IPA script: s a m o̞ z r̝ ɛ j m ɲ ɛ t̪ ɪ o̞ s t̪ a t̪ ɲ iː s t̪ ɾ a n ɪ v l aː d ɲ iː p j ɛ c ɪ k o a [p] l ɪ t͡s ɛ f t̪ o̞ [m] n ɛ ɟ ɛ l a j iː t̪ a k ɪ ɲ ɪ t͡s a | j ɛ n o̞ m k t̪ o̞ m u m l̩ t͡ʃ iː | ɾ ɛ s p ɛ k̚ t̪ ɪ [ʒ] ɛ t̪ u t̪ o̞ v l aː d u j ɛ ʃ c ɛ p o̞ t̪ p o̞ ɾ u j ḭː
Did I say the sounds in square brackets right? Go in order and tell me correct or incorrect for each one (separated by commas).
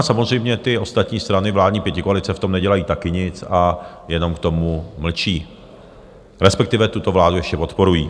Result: incorrect, correct, incorrect